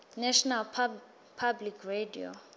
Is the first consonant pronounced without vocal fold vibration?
no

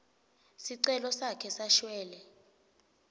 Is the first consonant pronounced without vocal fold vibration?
yes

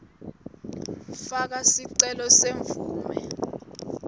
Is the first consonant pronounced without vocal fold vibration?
yes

